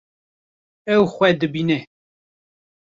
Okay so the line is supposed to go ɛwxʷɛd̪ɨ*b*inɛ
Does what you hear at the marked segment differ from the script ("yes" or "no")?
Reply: no